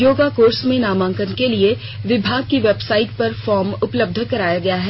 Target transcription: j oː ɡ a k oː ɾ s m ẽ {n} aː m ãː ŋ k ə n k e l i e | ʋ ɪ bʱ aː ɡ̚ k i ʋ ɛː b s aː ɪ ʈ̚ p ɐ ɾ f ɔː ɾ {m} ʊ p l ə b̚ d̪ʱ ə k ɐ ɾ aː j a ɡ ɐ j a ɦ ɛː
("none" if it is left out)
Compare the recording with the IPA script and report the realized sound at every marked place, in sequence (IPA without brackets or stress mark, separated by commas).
n, m